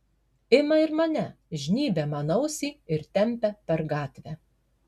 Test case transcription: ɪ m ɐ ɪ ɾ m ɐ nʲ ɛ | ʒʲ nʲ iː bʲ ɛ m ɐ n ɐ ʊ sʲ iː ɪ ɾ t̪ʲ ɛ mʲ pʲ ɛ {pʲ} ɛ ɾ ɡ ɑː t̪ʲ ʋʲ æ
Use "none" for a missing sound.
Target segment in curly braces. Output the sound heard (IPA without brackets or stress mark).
pʲ